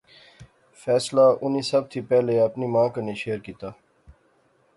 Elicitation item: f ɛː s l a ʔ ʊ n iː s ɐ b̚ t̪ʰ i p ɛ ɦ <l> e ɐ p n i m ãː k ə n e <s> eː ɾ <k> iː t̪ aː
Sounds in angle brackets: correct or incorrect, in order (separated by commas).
correct, incorrect, correct